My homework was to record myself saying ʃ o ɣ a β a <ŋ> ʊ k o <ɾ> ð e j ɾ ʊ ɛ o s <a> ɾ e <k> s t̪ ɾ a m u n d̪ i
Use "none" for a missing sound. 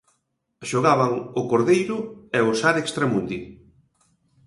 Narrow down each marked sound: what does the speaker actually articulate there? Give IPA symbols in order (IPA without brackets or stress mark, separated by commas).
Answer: ŋ, ɾ, a, k